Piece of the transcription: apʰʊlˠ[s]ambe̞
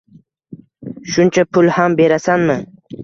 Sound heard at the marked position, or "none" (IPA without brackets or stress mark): h